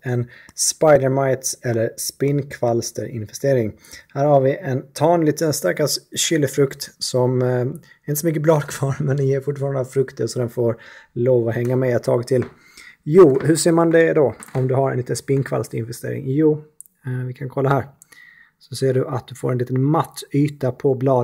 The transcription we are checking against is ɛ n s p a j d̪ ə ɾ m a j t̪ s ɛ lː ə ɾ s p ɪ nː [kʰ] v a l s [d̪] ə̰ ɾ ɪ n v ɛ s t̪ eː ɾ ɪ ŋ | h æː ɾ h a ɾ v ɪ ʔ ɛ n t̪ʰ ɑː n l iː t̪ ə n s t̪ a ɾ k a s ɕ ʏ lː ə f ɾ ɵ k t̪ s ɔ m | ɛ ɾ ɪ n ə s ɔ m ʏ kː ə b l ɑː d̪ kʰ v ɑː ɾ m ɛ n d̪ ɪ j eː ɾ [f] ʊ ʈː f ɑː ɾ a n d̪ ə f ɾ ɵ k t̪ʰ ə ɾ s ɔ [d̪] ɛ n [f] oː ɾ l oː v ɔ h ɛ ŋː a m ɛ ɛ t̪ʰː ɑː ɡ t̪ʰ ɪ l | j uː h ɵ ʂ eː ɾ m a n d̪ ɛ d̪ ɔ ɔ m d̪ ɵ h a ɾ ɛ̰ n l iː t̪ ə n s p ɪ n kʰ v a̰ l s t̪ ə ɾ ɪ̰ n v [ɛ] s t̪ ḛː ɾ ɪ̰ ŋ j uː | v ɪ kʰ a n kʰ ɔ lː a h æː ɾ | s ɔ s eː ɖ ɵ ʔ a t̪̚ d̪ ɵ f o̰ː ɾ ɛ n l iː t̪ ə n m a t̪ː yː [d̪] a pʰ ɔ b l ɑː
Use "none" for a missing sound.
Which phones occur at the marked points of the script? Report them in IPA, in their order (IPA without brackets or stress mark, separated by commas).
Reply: kʰ, t̪, f, d̪, f, ɛ, t̪